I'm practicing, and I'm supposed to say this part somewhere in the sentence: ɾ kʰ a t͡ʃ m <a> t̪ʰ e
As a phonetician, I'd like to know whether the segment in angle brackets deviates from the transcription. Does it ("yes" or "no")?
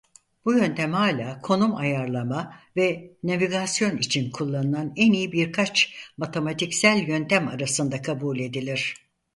no